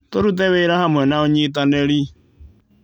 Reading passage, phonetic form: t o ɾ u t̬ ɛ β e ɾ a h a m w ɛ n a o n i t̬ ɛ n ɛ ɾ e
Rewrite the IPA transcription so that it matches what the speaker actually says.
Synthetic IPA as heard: t o ɾ u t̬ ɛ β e ɾ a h a m w ɛ n a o ɲ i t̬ a n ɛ ɾ i